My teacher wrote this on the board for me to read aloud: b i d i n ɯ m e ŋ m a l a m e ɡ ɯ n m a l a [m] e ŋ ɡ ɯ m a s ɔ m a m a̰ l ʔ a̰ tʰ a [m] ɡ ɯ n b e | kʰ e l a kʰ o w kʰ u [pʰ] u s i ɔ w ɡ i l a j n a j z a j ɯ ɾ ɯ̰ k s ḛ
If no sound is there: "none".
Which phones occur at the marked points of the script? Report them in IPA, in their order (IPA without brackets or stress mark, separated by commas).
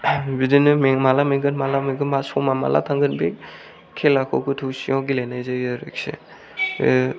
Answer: m, ŋ, tʰ